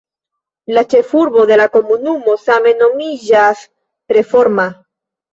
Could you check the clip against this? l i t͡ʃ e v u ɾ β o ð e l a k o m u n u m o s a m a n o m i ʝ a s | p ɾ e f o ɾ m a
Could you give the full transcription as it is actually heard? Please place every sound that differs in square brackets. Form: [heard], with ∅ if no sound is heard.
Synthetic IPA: l [a] t͡ʃ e [f] u ɾ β o ð e l a k o m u n u m o s a m [e] n o m i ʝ a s | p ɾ e f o ɾ m a